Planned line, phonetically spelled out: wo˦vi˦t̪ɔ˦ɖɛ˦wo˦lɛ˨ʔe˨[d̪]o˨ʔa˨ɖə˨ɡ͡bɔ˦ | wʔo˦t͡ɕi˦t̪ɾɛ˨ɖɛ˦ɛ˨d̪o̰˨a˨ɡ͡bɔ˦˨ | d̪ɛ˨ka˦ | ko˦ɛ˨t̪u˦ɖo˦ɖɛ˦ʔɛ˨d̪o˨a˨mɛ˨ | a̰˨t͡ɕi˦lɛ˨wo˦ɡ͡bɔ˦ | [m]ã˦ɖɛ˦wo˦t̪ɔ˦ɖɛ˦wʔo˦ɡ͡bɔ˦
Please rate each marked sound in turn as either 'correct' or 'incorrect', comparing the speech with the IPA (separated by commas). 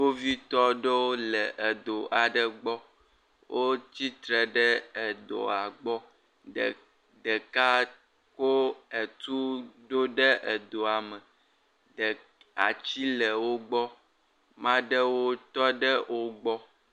correct, correct